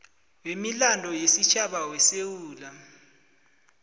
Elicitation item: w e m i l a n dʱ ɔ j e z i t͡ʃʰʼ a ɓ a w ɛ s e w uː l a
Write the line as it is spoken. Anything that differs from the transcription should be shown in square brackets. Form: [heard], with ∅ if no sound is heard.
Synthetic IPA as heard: w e m i l a n dʱ ɔ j e [s] i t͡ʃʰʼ a ɓ a w ɛ s e w uː l a